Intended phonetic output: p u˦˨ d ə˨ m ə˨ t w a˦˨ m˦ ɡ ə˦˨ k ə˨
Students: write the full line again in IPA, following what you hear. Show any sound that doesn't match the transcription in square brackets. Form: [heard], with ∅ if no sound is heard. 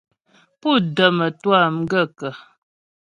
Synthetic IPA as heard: p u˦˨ d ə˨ m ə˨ t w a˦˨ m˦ ɡ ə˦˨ k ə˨